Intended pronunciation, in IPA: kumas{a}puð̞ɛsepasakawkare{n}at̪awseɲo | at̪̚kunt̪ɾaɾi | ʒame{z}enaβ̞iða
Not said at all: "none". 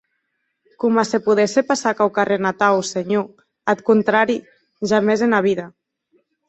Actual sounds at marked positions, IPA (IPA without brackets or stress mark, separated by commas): e, n, z